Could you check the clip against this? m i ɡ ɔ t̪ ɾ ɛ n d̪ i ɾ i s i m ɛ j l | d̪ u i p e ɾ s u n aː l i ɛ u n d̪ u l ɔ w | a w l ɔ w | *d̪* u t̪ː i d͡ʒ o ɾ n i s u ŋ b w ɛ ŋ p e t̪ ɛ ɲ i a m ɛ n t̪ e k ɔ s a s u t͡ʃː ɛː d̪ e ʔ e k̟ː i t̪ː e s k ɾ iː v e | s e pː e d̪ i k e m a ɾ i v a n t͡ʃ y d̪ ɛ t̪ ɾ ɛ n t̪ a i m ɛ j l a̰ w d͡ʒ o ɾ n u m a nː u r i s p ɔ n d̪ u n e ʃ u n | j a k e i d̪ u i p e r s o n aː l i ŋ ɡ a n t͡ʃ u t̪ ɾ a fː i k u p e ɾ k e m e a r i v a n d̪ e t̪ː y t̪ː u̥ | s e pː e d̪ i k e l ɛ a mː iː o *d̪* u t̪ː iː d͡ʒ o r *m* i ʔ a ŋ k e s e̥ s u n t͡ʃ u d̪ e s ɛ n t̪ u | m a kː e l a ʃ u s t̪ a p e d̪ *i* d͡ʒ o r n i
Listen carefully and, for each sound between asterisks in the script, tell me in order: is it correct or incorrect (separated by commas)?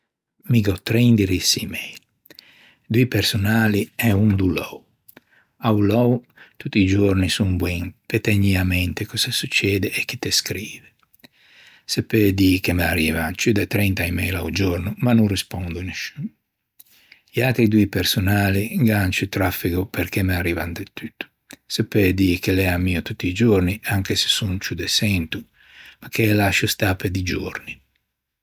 incorrect, incorrect, incorrect, correct